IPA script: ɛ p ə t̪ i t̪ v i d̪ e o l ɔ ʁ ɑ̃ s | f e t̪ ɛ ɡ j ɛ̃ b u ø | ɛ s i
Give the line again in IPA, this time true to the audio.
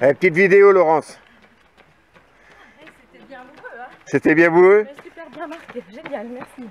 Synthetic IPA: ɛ p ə t̪ i t̪ v i d̪ e o l ɔ ʁ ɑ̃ s | s e t̪ ɛ b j ɛ̃ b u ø | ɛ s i

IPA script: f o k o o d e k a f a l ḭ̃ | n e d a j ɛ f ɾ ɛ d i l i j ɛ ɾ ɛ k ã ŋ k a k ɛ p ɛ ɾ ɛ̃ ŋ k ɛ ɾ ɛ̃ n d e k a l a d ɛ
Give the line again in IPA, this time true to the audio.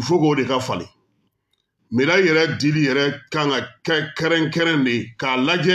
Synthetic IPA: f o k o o d e k a f a l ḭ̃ | m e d a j ɛ ɾ ɛ d i l i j ɛ ɾ ɛ k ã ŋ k a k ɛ k ɛ ɾ ɛ̃ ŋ k ɛ ɾ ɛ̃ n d e k a l a d͡ʒ ɛ

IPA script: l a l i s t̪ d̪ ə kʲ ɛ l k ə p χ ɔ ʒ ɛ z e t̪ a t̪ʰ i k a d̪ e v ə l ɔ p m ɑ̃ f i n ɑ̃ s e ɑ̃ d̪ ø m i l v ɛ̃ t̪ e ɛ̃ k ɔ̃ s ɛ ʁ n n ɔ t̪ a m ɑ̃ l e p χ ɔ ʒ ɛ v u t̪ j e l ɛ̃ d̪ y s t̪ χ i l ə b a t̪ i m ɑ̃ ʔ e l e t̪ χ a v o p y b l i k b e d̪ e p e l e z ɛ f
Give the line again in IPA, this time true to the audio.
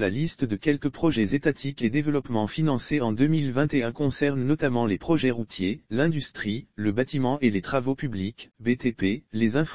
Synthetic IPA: l a l i s t̪ d̪ ə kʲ ɛ l k ə p χ ɔ ʒ ɛ z e t̪ a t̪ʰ i k e d̪ e v ə l ɔ p m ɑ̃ f i n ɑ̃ s e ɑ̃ d̪ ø m i l v ɛ̃ t̪ e ɛ̃ k ɔ̃ s ɛ ʁ n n ɔ t̪ a m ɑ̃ l e p χ ɔ ʒ ɛ ʁ u t̪ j e l ɛ̃ d̪ y s t̪ χ i l ə b a t̪ i m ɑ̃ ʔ e l e t̪ χ a v o p y b l i k b e t̪ e p e l e z ɛ̃ f

